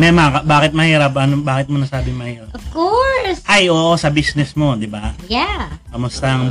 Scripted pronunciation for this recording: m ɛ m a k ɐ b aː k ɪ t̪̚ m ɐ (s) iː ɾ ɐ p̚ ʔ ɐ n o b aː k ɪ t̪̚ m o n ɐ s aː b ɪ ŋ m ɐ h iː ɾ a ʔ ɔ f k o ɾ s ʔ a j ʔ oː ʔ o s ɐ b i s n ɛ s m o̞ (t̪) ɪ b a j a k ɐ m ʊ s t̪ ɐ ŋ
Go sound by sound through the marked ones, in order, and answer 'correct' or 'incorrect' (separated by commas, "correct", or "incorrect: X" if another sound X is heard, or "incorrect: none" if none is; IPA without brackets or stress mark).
incorrect: h, incorrect: d̪